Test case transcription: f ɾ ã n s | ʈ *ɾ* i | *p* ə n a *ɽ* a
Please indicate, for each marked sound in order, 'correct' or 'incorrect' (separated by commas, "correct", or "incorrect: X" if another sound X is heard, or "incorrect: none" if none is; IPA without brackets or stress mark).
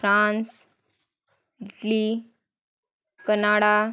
incorrect: l, incorrect: k, correct